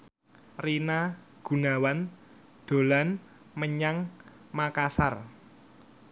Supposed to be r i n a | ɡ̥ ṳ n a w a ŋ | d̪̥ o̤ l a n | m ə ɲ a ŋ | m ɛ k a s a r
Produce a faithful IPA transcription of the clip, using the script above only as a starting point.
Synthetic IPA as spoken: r i n a | ɡ̥ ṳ n a w a n | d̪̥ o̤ l a n | m ə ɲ a ŋ | m a k a s a r